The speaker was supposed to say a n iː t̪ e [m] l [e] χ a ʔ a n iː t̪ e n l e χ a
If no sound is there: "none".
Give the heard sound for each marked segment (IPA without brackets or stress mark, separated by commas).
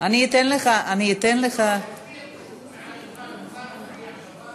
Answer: n, e